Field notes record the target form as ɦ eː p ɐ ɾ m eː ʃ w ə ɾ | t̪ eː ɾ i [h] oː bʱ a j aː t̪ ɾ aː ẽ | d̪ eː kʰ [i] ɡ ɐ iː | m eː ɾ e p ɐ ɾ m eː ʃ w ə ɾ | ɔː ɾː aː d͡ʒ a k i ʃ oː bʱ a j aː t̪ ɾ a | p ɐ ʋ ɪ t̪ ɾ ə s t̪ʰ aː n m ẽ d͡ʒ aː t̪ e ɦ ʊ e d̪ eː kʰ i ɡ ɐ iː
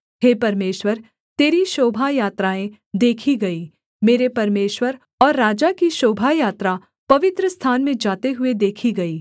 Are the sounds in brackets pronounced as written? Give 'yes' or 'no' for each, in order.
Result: no, yes

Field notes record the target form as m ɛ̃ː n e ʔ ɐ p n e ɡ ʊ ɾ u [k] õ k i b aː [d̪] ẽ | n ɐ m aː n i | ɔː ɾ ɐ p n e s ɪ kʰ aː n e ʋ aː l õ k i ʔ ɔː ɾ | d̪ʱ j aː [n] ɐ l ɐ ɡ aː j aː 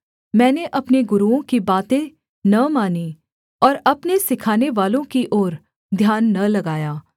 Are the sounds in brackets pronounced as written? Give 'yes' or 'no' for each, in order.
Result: no, no, no

